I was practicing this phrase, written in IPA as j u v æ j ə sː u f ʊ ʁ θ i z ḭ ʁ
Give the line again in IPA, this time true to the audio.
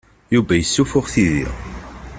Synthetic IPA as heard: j u v æ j ə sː u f ʊ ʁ θ i ð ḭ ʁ